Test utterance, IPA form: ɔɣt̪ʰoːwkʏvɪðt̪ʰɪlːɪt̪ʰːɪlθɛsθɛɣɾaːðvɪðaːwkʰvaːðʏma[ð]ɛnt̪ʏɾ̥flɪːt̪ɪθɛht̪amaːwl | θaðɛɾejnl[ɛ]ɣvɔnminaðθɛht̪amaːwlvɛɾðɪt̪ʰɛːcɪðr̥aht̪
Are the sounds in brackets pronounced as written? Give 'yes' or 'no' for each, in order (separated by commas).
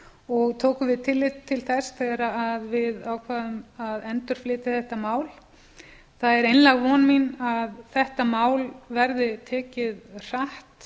yes, no